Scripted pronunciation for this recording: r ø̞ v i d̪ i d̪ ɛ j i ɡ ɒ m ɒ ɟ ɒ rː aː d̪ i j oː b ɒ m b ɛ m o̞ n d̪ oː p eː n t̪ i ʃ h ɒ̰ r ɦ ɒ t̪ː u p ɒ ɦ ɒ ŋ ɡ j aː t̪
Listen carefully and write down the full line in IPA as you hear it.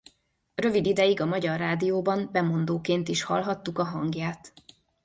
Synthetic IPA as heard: r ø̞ v i d̪ i d̪ ɛ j i ɡ ɒ m ɒ ɟ ɒ rː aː d̪ i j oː b ɒ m b ɛ m o̞ n d̪ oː k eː n t̪ i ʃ h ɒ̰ l ɦ ɒ t̪ː u k ɒ ɦ ɒ ŋ ɡ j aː t̪